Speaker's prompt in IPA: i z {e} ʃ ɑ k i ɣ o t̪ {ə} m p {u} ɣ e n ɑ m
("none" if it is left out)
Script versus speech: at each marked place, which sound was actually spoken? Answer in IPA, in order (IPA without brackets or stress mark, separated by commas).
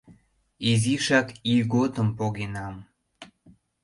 i, ə, o